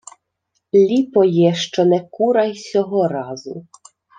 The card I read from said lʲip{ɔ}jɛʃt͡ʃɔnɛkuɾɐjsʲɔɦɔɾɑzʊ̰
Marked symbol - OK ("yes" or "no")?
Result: yes